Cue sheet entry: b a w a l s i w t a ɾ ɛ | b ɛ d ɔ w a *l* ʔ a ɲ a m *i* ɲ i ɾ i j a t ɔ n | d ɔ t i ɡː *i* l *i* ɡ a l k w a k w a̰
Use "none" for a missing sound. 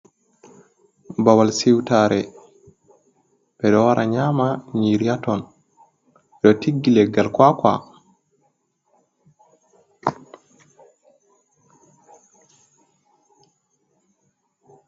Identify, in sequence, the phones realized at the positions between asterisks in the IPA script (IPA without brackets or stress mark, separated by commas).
ɾ, a, i, ɛ